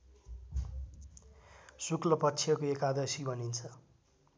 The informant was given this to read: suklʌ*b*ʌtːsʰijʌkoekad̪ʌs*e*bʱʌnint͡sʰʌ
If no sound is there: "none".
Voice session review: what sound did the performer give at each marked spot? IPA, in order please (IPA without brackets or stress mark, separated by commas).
p, i